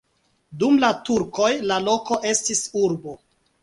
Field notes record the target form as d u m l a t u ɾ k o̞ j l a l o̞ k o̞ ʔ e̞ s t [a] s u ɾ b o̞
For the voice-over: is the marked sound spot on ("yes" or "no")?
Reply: no